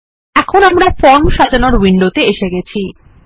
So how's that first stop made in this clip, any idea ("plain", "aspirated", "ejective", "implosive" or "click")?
aspirated